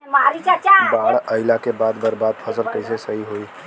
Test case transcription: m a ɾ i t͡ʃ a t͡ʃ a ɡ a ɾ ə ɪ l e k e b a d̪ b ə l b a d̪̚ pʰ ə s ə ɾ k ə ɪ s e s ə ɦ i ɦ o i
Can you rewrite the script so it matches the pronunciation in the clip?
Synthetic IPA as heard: m a ɾ i t͡ʃ a t͡ʃ a b a ɽ ə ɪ l a k e b a d̪ b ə ɾ b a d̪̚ pʰ ə s ə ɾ k ə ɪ s e s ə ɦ i ɦ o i